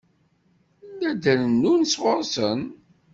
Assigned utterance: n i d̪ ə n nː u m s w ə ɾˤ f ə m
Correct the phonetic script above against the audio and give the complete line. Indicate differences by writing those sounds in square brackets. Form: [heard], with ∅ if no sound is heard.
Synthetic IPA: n [æ] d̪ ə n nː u [n] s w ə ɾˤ [s] ə [n]